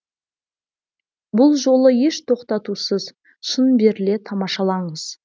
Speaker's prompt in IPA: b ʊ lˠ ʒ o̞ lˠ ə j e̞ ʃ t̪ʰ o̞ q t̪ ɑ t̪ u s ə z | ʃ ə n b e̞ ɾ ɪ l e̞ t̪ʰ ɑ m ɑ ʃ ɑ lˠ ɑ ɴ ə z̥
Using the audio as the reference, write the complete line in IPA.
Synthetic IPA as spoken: b ʊ lˠ ʒ o̞ lˠ ə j e̞ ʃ t̪ʰ o̞ q t̪ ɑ t̪ u s ə z | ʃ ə n b e̞ ɾ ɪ l e̞ t̪ʰ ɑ m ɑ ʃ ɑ lˠ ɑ ɴ ə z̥